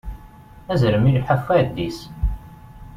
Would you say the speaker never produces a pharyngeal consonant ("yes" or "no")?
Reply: no